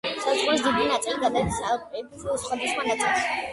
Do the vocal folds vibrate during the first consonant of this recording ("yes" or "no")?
no